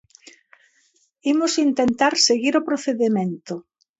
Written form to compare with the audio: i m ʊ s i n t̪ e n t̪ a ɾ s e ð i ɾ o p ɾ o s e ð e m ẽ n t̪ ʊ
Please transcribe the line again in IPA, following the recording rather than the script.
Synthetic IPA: i m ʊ s i n t̪ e n t̪ a ɾ s e ɣ i ɾ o p ɾ o θ e ð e m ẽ n t̪ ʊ